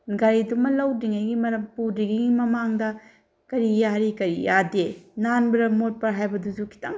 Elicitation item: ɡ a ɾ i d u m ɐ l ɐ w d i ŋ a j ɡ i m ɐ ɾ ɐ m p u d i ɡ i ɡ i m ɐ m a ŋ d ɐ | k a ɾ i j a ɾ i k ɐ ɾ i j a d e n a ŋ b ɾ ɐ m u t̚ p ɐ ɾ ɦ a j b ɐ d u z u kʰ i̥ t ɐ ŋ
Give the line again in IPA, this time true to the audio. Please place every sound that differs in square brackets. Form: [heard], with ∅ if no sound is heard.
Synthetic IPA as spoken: ɡ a ɾ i d u m ɐ l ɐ w d i ŋ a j ɡ i m ɐ ɾ ɐ m p u d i ɡ i ɡ i m ɐ m a ŋ d ɐ | k [ɐ] ɾ i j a ɾ i k ɐ ɾ i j a d e n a [n] b ɾ ɐ m [o] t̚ p ɐ ɾ ɦ a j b ɐ d u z u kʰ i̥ t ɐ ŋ